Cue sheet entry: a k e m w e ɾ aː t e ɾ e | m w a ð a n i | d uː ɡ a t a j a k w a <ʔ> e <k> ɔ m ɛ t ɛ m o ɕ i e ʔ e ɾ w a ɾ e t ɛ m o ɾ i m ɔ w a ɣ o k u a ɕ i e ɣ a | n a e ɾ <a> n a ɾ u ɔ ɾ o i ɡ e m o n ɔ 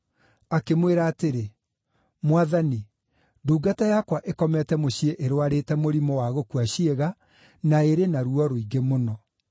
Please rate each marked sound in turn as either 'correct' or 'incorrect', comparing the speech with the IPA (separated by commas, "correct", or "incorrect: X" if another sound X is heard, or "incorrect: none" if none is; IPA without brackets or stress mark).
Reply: correct, correct, incorrect: e